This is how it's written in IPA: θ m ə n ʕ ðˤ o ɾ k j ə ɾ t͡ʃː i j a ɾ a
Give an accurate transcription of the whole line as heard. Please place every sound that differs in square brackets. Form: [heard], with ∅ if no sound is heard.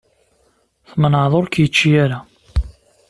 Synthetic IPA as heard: θ m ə n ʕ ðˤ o ɾ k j ə [∅] t͡ʃː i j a ɾ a